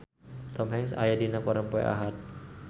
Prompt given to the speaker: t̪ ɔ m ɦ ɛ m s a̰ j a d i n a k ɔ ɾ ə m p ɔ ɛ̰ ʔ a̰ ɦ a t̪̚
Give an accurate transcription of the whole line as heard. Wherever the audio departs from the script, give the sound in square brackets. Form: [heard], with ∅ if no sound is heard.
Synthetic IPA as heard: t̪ ɔ m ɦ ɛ [ŋ] s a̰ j a d i n a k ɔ ɾ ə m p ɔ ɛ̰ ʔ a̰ ɦ a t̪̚